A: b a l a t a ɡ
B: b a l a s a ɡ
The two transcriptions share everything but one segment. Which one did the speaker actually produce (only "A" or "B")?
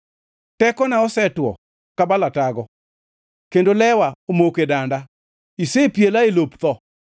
A